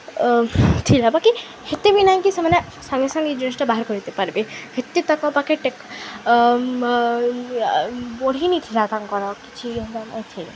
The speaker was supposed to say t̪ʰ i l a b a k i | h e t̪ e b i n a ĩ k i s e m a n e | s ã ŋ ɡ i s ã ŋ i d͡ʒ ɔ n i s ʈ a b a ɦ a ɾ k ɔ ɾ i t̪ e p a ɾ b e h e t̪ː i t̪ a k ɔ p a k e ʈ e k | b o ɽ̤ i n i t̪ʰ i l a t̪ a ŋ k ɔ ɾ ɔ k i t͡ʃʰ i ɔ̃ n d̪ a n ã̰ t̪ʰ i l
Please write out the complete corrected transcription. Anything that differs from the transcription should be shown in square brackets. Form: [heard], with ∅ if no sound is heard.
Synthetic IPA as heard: t̪ʰ i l a b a k i | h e t̪ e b i n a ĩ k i s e m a n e | s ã ŋ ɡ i s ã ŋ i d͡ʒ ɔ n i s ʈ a b a ɦ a ɾ k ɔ ɾ i t̪ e p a ɾ b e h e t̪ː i t̪ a k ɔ p a k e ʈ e k | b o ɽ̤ i n i t̪ʰ i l a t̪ a ŋ k ɔ ɾ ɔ k i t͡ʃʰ i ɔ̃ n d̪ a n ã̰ t̪ʰ i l

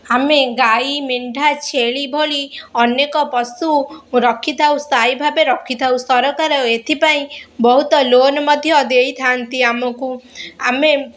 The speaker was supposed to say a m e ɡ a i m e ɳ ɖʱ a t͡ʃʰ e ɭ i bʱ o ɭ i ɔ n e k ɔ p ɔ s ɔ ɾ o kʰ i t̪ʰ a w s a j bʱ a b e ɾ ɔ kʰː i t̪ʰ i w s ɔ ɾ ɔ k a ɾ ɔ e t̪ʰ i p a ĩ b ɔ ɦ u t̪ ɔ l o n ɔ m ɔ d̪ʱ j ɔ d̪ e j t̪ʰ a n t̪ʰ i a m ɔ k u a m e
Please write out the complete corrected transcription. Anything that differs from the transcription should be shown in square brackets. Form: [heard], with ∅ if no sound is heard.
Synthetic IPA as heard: a m e ɡ a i m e ɳ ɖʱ a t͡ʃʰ e ɭ i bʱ o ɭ i ɔ n e k ɔ p ɔ s [u] ɾ [ɔ] kʰ i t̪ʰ a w s a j bʱ a b e ɾ ɔ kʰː i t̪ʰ [a] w s ɔ ɾ ɔ k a ɾ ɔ e t̪ʰ i p a ĩ b ɔ ɦ u t̪ ɔ l o n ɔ m ɔ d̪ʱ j ɔ d̪ e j t̪ʰ a n [t̪] i a m ɔ k u a m e

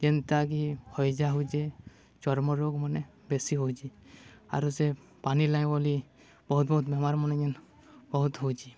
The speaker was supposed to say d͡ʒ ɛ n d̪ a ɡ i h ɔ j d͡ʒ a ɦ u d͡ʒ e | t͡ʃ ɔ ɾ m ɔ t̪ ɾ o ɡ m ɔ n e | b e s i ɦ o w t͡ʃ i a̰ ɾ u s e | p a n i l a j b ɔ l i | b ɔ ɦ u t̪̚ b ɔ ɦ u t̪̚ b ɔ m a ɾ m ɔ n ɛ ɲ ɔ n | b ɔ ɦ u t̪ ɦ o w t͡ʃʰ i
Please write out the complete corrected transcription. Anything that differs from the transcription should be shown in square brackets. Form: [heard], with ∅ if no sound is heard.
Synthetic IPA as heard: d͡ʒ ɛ n [t̪] a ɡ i h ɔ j d͡ʒ a ɦ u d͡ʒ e | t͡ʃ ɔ ɾ m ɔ [∅] ɾ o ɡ m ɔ n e | b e s i ɦ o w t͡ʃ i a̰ ɾ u s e | p a n i l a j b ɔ l i | b ɔ ɦ u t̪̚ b ɔ ɦ u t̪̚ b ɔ m a ɾ m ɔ n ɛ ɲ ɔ n | b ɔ ɦ u t̪ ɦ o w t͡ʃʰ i

